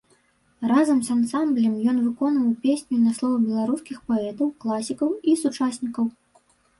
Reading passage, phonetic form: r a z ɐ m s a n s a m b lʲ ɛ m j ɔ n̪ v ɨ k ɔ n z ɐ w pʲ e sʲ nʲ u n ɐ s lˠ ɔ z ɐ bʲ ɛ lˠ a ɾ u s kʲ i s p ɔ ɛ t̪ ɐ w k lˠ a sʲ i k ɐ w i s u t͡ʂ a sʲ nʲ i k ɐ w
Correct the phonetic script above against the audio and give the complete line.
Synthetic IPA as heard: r a z ɐ m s a n s a m b lʲ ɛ m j ɔ n̪ v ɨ k ɔ n v ɐ w pʲ e sʲ nʲ u n ɐ s lˠ ɔ v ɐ bʲ ɛ lˠ a ɾ u s kʲ i x p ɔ ɛ t̪ ɐ w k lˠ a sʲ i k ɐ w i s u t͡ʂ a sʲ nʲ i k ɐ w